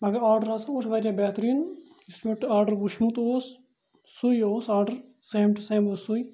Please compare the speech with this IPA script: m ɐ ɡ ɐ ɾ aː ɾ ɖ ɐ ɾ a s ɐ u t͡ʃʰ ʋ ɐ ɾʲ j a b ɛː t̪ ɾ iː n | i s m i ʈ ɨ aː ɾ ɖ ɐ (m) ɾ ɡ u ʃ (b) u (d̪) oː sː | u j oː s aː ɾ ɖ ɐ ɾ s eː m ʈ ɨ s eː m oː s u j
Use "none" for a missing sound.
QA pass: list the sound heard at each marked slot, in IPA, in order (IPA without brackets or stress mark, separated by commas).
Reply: none, m, t̪